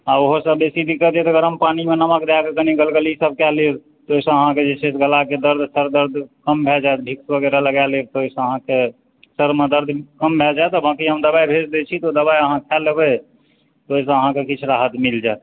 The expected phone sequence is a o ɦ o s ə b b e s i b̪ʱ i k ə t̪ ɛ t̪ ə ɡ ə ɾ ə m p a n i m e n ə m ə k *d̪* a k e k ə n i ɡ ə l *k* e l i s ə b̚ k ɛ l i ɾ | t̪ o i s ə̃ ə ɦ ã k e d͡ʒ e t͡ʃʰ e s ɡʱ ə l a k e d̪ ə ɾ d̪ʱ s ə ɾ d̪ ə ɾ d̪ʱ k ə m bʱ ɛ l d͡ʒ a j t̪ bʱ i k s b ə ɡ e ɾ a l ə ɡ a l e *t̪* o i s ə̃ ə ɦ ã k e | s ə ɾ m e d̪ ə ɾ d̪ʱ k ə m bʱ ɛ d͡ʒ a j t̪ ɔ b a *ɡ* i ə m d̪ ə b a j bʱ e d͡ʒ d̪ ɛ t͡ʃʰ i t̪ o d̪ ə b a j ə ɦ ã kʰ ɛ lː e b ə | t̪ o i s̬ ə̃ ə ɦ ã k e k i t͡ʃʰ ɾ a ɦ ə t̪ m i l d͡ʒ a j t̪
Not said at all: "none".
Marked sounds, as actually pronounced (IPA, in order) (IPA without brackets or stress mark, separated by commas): d̪, ɡ, t̪, k